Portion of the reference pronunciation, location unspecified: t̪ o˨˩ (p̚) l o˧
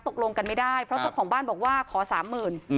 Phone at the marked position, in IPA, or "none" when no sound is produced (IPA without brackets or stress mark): k̚